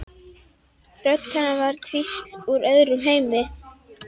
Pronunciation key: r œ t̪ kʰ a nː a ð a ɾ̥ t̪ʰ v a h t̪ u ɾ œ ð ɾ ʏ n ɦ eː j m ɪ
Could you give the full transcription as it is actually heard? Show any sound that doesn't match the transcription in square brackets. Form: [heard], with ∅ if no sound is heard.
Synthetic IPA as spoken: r œ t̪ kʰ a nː a [v] a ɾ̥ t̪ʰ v [i] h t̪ u ɾ œ ð ɾ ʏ [m] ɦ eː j m ɪ